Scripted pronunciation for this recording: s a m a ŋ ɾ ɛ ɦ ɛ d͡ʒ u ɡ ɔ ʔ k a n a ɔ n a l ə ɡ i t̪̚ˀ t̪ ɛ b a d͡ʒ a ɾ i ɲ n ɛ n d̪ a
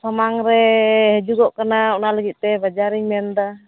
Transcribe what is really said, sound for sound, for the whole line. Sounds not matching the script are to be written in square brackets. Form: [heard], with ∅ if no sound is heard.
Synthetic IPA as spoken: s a m a ŋ ɾ ɛ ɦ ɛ d͡ʒ u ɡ ɔ ʔ k a n a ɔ n a l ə ɡ i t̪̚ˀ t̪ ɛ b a d͡ʒ a ɾ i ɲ [m] ɛ n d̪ a